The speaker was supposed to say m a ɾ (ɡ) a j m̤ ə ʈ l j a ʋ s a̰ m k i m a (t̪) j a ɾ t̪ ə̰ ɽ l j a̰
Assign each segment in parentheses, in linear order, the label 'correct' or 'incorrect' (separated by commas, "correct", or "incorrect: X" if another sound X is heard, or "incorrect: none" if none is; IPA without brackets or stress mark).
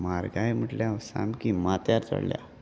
correct, correct